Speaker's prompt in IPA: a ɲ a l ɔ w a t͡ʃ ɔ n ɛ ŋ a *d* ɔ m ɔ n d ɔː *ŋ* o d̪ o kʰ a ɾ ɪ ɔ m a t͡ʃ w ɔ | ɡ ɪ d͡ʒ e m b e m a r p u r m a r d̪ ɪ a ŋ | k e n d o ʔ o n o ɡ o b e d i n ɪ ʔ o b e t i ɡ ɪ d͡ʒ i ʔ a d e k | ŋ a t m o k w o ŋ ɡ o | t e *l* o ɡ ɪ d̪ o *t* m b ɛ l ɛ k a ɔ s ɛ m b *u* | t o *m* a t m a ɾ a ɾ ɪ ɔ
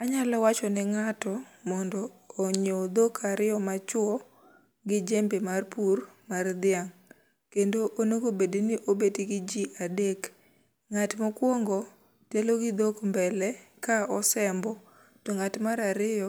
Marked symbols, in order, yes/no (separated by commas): no, no, yes, no, no, no